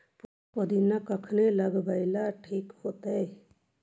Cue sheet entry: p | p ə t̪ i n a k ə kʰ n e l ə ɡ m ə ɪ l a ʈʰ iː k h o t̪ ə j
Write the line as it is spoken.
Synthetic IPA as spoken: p | p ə d̪ i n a k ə kʰ n e l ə ɡ b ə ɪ l a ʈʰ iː k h o t̪ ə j